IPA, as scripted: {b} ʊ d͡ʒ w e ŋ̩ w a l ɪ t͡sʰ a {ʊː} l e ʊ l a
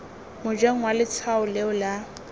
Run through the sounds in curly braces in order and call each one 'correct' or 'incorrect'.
incorrect: m, incorrect: ʊ

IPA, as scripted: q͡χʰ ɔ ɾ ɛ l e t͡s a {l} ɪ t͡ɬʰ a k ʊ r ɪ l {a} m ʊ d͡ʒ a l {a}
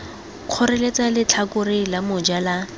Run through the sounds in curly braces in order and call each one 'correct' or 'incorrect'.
correct, correct, correct

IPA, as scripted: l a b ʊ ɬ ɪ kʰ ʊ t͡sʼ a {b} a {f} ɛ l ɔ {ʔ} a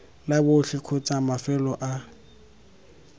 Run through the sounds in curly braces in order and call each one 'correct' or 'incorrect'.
incorrect: m, correct, correct

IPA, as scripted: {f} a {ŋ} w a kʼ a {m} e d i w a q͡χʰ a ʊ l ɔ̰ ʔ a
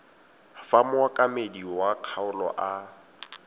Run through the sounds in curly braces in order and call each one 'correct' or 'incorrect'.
correct, incorrect: m, correct

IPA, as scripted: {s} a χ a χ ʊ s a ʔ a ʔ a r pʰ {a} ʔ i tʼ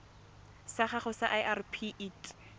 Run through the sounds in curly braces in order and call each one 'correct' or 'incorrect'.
correct, incorrect: i

